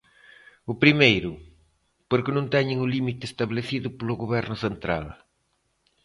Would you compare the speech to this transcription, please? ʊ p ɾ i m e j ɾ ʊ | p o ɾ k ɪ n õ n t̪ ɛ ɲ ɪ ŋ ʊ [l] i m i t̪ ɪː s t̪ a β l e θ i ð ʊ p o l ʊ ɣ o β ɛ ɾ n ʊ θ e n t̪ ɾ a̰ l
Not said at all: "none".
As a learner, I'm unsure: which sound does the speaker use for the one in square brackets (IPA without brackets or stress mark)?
l